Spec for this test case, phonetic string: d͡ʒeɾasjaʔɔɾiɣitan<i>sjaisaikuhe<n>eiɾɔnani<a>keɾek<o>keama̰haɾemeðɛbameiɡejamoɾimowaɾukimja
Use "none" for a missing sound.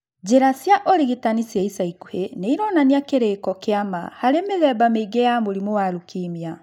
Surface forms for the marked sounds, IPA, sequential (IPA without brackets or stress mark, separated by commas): i, n, a, ɔ